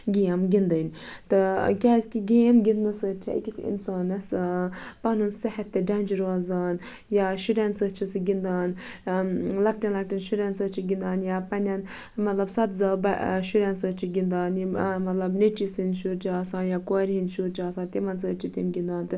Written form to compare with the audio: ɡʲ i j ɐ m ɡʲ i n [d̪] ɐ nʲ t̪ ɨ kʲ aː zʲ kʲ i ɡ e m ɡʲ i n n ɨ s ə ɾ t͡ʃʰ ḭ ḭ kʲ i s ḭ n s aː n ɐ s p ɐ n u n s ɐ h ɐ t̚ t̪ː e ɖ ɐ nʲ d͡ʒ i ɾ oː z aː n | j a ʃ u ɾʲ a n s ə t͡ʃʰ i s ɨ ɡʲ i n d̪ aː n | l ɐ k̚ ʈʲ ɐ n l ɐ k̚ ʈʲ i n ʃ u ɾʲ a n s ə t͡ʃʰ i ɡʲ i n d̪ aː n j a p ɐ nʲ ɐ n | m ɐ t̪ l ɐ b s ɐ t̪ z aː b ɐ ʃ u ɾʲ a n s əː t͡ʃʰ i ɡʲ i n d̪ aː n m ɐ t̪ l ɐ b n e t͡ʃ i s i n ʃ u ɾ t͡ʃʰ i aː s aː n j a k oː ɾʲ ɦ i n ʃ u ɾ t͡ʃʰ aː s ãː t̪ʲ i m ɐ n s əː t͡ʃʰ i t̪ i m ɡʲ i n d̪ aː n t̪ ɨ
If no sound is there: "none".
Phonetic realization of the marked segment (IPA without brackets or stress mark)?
d̪